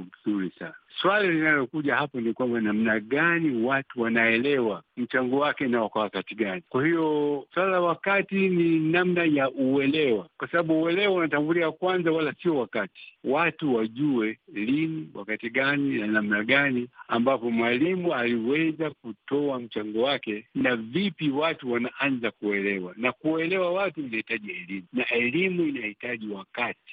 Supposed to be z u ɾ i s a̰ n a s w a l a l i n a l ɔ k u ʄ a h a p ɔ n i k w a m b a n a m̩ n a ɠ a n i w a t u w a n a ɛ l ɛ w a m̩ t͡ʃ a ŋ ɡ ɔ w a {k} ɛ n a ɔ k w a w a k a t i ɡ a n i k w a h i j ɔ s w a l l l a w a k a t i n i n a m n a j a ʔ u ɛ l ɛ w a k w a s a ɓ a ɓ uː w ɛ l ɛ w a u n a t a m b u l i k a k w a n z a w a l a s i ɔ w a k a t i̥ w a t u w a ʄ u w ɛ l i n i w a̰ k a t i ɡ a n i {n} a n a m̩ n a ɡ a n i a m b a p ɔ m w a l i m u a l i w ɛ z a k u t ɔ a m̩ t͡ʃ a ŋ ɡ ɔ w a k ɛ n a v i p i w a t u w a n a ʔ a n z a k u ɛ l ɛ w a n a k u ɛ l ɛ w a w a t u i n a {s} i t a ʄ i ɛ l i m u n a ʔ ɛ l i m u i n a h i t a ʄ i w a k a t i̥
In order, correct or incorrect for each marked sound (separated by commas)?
correct, correct, incorrect